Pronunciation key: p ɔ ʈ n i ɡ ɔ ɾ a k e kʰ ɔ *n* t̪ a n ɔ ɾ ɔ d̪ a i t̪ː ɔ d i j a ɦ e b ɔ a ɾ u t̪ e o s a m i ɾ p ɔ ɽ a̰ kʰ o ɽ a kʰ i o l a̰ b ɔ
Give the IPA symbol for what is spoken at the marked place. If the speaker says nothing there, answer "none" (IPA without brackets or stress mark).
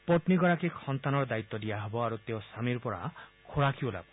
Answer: n